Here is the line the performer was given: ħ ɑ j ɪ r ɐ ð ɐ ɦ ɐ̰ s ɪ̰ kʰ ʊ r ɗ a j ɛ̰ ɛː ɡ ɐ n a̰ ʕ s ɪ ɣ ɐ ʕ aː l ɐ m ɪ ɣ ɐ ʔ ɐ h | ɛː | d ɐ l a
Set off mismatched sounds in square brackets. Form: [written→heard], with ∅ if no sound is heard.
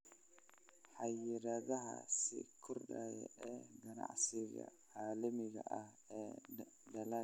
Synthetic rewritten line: ħ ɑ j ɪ [r→ɾ] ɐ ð ɐ ɦ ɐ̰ s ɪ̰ kʰ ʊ r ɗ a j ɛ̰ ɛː ɡ ɐ n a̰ ʕ s ɪ ɣ ɐ ʕ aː l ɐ m ɪ ɣ ɐ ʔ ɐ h | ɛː | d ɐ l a